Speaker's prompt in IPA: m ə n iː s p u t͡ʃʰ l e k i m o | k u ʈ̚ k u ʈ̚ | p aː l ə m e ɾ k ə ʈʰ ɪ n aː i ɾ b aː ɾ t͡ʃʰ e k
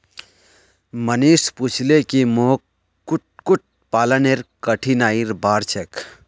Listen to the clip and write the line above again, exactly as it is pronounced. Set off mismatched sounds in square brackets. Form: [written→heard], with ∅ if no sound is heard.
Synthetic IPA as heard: m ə n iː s p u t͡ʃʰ l e k i m o | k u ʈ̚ k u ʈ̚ | p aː l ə [m→n] e ɾ k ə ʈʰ [ɪ→i] n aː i ɾ b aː ɾ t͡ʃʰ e k